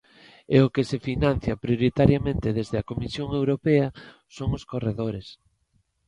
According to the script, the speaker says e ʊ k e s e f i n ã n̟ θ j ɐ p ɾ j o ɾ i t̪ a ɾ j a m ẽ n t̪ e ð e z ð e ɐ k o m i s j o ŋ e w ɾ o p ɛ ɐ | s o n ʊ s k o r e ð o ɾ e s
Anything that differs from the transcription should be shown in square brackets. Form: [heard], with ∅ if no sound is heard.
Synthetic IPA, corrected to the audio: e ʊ k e s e f i n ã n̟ θ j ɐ p ɾ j o ɾ i t̪ a ɾ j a m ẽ n t̪ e ð e z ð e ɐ k o m i s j o ŋ e w ɾ o p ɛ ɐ | s o [ŋ] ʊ s k o r e ð o ɾ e s